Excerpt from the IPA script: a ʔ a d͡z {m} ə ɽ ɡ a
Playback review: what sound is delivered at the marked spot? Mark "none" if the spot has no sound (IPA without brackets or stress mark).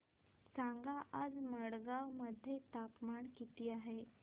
m